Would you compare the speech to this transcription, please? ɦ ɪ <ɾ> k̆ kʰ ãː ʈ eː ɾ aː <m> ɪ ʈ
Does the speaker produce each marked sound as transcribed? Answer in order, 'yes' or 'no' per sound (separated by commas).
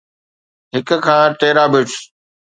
no, no